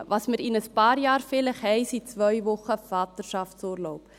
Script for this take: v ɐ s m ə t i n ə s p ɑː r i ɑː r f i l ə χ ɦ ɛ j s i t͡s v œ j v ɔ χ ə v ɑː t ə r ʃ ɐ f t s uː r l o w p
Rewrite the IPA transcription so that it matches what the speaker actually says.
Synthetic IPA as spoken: v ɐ s m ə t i n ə s p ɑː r j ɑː r f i l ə χ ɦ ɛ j s i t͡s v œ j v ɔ χ ə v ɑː t ə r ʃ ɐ f t s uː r l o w p